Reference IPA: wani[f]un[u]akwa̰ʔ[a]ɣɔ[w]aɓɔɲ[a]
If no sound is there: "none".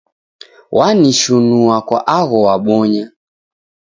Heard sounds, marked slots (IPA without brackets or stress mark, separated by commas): ʃ, u, a, w, a